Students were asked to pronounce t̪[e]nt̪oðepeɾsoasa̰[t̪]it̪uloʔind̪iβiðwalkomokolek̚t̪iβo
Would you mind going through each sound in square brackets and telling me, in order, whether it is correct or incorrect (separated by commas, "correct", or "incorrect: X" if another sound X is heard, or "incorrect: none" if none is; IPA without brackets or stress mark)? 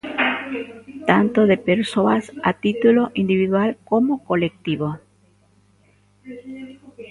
incorrect: a, correct